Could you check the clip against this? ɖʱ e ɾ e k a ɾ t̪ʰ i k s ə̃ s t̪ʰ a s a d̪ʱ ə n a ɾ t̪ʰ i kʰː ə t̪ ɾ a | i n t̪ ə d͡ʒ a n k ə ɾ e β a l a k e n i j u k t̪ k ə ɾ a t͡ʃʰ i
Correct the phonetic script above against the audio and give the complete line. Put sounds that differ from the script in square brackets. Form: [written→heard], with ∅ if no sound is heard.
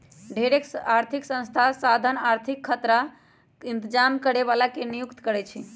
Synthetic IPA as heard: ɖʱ e ɾ e k a ɾ t̪ʰ i k s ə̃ s t̪ʰ a s a d̪ʱ ə n a ɾ t̪ʰ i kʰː ə t̪ ɾ a | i n t̪ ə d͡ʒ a [n→m] k ə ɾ e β a l a k e n i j u k t̪ k ə ɾ [a→ɛ] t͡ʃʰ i